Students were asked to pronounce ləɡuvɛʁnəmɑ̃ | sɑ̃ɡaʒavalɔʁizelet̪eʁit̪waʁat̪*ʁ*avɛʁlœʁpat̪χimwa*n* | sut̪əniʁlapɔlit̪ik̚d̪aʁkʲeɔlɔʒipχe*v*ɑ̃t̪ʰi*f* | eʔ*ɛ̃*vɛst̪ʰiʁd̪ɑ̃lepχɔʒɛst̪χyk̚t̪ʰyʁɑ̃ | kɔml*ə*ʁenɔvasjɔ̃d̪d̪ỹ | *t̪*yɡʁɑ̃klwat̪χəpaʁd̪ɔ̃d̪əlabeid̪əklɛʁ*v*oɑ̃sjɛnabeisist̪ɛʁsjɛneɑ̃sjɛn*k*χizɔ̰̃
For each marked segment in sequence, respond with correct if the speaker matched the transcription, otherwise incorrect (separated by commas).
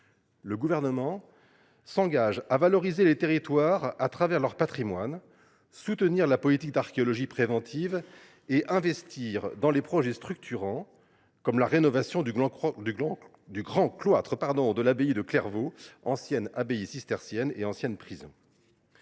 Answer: incorrect, correct, correct, incorrect, correct, incorrect, incorrect, correct, incorrect